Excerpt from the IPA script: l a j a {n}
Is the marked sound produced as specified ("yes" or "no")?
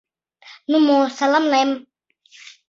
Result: no